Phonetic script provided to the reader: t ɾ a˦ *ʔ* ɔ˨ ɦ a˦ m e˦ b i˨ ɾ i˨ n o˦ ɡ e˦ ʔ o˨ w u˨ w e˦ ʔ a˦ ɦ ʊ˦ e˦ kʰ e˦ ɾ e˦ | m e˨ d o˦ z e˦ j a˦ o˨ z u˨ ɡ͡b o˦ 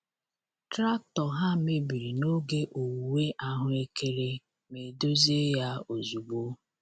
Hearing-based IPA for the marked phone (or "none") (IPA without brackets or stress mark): t